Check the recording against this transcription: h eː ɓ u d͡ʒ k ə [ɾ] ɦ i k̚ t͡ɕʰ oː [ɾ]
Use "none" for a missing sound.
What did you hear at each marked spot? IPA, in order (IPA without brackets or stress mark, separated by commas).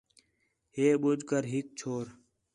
ɾ, ɾ